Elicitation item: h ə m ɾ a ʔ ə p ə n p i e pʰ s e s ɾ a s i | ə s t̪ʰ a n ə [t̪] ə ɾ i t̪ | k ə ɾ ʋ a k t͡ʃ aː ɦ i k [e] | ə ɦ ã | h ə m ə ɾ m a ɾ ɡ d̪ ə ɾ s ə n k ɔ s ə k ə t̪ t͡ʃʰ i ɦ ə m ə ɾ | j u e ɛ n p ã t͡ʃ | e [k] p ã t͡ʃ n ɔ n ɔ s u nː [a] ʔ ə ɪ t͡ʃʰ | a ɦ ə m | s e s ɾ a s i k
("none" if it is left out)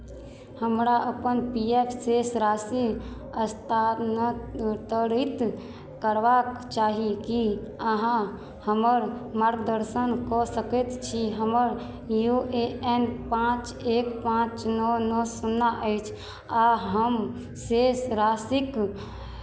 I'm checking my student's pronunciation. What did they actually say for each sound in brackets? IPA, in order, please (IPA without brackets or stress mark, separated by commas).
t̪, i, k, a